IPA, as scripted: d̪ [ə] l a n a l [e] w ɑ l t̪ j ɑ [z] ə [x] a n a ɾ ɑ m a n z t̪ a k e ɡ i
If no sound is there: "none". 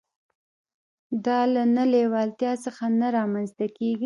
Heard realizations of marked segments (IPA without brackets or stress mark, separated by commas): ɑ, e, s, x